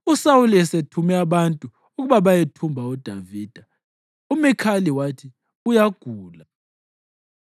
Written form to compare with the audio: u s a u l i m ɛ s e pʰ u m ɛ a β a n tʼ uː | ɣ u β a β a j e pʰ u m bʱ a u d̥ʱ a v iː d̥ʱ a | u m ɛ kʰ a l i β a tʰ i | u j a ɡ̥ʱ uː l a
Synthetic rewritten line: u s a u l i ɛ s e tʰ u m ɛ a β a n tʼ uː | ɣ u β a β a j e tʰ u m bʱ a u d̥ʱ a v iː d̥ʱ a | u m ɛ kʰ a l i w a tʰ i | u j a ɡ̥ʱ uː l a